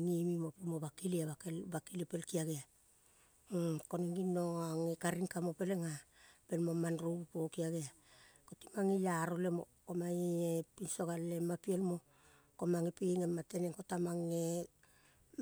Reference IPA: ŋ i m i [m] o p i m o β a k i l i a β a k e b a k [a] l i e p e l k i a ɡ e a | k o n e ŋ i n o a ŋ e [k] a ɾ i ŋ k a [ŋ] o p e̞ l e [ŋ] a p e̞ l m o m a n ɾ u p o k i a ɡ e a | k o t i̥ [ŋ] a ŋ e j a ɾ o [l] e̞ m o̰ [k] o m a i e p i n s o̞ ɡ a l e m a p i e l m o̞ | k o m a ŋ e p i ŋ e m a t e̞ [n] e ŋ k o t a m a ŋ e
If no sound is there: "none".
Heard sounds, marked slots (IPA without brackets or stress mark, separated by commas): m, i, k, m, ŋ, m, l, k, n